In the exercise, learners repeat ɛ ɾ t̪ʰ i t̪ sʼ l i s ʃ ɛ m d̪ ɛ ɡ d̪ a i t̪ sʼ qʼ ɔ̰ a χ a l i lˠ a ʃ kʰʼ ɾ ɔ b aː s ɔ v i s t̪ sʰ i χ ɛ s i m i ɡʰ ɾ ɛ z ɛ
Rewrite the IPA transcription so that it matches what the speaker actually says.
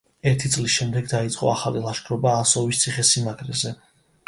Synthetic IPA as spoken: ɛ ɾ t̪ʰ i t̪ sʼ l i s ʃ ɛ m d̪ ɛ ɡ d̪ a i t̪ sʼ qʼ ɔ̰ a χ a l i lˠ a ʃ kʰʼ ɾ ɔ b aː s ɔ v i s t̪ sʰ i χ ɛ s i m a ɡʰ ɾ ɛ z ɛ